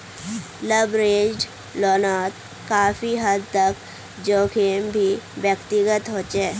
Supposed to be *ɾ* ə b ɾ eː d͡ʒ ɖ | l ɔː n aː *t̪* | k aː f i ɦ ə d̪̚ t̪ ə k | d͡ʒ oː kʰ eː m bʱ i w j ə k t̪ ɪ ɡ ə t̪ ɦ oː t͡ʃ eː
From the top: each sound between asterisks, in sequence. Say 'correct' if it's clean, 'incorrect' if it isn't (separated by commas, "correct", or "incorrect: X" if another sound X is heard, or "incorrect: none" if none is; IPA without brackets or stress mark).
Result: incorrect: l, correct